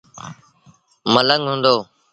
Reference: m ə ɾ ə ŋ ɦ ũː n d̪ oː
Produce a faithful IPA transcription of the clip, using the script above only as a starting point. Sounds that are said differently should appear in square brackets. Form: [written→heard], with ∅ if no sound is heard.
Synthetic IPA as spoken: m ə [ɾ→l] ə ŋ ɦ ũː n d̪ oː